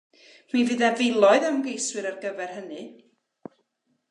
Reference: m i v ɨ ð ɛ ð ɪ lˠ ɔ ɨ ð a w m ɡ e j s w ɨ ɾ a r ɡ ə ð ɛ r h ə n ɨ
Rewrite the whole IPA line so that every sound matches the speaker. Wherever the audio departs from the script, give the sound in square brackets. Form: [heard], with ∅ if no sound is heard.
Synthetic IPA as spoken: m i v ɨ ð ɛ [v] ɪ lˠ ɔ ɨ ð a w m ɡ e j s w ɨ ɾ a r ɡ ə [v] ɛ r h ə n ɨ